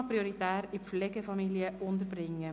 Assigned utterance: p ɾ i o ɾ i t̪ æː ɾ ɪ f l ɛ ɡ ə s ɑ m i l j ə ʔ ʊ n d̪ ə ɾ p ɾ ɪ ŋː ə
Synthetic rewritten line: p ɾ i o ɾ i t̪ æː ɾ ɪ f l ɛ ɡ ə f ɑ m i l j ə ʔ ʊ n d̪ ə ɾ b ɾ ɪ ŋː ə